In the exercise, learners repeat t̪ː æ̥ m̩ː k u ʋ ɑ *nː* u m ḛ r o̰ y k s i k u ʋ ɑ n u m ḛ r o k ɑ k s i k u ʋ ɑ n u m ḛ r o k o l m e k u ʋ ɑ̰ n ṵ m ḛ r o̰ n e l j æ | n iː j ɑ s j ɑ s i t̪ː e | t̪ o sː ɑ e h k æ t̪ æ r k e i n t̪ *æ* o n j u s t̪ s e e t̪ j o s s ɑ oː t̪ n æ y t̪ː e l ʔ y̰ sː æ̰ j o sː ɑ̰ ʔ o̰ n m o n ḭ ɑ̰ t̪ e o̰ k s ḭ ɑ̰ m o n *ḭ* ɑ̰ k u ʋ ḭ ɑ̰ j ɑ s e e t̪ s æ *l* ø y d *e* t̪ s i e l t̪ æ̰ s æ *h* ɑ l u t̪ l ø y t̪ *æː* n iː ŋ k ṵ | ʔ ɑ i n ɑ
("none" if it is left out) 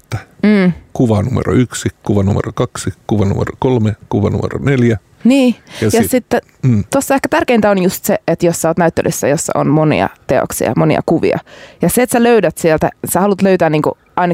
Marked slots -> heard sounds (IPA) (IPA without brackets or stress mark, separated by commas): n, æ, ḭ, l, æ, h, æː